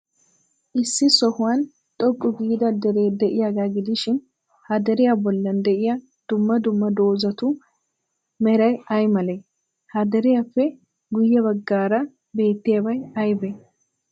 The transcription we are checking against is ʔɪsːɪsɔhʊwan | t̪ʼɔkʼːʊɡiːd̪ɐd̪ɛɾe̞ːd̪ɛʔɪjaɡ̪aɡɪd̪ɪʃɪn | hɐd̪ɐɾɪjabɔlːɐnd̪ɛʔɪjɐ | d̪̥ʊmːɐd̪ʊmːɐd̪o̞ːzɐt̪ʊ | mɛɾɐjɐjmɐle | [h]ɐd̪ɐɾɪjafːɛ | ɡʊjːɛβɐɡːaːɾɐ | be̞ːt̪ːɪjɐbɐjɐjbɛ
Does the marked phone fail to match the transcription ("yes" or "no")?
no